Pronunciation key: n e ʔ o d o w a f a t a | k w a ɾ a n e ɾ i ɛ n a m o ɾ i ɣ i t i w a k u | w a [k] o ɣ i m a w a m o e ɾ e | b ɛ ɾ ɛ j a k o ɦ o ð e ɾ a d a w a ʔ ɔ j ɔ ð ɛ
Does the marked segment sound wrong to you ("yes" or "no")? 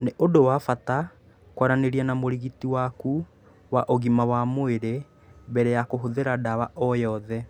yes